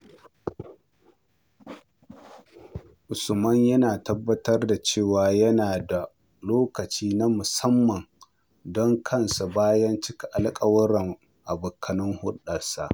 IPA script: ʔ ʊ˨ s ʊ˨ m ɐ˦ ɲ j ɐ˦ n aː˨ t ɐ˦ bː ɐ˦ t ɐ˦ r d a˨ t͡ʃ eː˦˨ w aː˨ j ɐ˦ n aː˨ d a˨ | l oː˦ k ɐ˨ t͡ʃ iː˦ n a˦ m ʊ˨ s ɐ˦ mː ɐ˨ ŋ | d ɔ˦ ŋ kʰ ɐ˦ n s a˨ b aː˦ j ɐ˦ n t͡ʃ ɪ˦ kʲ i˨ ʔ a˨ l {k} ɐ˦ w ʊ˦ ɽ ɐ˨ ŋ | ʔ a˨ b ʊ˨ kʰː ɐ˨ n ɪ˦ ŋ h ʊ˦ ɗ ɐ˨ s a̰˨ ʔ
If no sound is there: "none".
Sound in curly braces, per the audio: kʼ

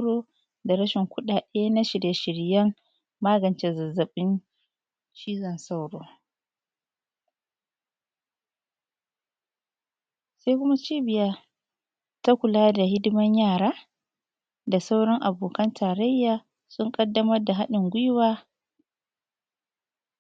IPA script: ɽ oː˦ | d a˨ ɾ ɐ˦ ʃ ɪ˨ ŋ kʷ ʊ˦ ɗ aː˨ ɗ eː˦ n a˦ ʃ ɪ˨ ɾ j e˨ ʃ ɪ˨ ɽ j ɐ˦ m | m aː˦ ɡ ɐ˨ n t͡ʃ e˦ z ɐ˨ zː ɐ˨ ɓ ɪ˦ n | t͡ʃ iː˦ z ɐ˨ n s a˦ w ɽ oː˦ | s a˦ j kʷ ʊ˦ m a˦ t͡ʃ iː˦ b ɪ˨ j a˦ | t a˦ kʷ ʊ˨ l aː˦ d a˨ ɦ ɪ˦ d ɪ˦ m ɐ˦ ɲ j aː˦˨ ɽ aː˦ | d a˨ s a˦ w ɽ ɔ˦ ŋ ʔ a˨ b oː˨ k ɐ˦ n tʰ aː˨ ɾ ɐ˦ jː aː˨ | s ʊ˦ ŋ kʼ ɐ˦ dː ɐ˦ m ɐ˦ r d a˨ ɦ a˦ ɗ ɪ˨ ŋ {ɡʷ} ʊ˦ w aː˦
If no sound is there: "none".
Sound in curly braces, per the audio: ɡʷ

